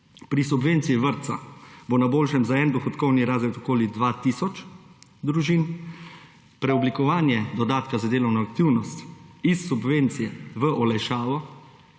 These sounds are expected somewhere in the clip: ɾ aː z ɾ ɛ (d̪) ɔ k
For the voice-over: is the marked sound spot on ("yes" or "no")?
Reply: no